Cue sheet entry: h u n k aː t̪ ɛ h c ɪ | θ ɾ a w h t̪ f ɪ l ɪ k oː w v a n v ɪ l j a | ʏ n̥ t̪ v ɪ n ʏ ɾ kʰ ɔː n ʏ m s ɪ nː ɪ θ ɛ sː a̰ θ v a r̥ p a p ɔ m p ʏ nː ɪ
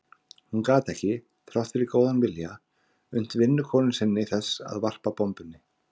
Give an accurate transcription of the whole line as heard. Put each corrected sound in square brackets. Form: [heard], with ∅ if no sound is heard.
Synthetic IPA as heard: h u n k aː t̪ ɛ h c ɪ | θ ɾ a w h t̪ f ɪ [ɾ] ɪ k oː w [ð] a n v ɪ l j a | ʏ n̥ t̪ v ɪ [nː] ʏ [∅] kʰ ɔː n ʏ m s ɪ nː ɪ θ ɛ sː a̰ [ð] v a r̥ p a p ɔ m p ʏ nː ɪ

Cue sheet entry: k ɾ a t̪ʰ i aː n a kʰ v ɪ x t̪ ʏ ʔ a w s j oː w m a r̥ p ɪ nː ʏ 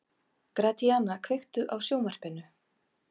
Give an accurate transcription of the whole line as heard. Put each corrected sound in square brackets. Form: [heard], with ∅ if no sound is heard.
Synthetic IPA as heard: k ɾ a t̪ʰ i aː n a kʰ v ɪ x t̪ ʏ ʔ a w s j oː w m a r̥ p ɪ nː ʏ

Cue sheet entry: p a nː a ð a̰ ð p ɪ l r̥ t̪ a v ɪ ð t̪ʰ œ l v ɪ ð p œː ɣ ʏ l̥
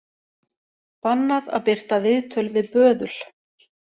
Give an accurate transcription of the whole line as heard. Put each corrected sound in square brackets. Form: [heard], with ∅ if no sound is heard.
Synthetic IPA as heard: p a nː a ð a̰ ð p ɪ [∅] r̥ t̪ a v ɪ ð t̪ʰ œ l v ɪ ð p œː [ð] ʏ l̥

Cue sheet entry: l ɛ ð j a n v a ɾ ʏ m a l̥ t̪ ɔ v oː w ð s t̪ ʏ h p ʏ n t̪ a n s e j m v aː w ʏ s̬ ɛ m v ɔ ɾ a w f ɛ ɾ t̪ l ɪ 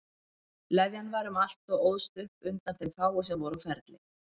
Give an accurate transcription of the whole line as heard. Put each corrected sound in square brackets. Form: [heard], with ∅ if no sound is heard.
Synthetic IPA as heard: l ɛ ð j a n v a ɾ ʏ m a l̥ t̪ ɔ [ɣ] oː w ð s t̪ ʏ h p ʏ n t̪ a n [θ] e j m [f] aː w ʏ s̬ ɛ m v ɔ ɾ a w f ɛ ɾ t̪ l ɪ

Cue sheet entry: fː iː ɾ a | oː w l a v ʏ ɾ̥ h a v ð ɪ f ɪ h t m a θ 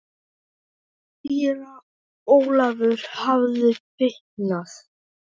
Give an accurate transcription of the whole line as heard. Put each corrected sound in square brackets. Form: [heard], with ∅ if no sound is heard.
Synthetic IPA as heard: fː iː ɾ a | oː w l a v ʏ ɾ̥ h a v ð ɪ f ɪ h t [n] a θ

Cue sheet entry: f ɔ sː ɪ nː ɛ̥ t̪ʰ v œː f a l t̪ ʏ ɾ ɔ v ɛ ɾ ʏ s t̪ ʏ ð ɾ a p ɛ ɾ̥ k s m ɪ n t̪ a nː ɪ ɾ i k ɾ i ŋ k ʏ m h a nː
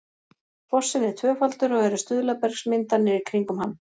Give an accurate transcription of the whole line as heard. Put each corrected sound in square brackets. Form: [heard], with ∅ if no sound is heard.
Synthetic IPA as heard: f ɔ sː ɪ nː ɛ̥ t̪ʰ v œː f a l t̪ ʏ ɾ ɔ [ɣ] ɛ ɾ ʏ s t̪ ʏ ð [l] a p ɛ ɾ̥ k s m ɪ n t̪ a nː ɪ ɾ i [kʰ] ɾ i ŋ k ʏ m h a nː

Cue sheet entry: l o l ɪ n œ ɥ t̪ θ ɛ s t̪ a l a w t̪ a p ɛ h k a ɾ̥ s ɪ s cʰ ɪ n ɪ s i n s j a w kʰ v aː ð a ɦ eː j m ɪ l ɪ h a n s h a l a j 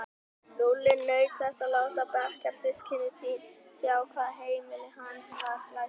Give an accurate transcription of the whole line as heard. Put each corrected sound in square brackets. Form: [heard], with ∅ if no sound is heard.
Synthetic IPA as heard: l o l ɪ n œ ɥ t̪ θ ɛ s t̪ a l a w t̪ a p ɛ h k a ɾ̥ s ɪ s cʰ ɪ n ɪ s i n s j a w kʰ v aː ð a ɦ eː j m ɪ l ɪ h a n s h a l a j

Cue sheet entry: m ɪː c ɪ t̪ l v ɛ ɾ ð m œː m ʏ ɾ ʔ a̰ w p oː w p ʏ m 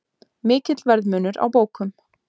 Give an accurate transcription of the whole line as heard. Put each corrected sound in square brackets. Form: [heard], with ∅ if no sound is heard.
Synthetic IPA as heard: m ɪː c ɪ t̪ l v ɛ ɾ ð m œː [n] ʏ ɾ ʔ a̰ w p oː w [k] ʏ m

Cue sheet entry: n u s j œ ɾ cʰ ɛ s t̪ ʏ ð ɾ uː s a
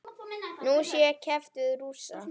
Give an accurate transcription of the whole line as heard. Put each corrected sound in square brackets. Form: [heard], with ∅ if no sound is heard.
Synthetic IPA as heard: n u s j [ɛ] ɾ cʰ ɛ [f] t̪ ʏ ð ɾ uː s a

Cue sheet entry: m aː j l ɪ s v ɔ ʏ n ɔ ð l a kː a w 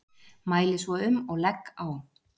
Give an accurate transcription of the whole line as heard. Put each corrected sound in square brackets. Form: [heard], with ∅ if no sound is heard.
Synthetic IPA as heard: m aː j l ɪ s v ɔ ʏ [m] ɔ [ɣ] l [ɛ] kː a w

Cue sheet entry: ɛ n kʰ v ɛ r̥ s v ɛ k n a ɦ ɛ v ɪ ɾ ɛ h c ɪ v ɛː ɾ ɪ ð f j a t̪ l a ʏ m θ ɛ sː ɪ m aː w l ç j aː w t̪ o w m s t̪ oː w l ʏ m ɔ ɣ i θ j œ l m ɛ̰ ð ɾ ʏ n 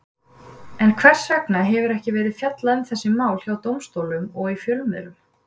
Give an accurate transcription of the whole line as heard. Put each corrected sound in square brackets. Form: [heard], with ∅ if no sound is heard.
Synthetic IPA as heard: ɛ n kʰ v ɛ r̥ s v ɛ k n a ɦ ɛ v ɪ ɾ ɛ h c ɪ v ɛː ɾ ɪ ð f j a t̪ l a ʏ m θ ɛ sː ɪ m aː w l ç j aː w t̪ o w m s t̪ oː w l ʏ m ɔ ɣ i [f] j œ l m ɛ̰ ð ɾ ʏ [m]

